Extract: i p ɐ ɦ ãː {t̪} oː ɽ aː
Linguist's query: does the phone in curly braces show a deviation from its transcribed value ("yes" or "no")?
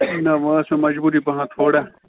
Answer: yes